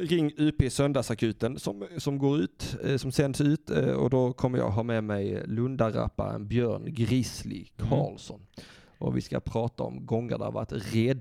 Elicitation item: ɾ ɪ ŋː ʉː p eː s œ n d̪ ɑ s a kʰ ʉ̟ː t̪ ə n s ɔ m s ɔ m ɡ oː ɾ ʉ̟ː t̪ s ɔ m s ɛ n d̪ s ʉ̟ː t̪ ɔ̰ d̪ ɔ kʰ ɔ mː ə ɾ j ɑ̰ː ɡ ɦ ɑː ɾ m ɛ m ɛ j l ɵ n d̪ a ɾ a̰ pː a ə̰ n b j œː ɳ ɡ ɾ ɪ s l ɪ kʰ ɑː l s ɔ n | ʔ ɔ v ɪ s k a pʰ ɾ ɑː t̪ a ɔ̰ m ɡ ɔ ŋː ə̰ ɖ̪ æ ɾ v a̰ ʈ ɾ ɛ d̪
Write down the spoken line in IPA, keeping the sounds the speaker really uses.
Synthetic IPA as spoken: ɾ ɪ ŋː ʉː p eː s œ n d̪ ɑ s a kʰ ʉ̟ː t̪ ə n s ɔ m s ɔ m ɡ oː ɾ ʉ̟ː t̪ s ɔ m s ɛ n d̪ s ʉ̟ː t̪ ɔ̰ d̪ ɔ kʰ ɔ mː ə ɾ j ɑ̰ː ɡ ɦ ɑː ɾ m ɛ m ɛ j l ɵ n d̪ a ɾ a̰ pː a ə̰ n b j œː ɳ ɡ ɾ ɪ s l ɪ kʰ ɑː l s ɔ n | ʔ ɔ v ɪ s k a pʰ ɾ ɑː t̪ a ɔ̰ m ɡ ɔ ŋː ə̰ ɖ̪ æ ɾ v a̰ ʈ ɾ ɛ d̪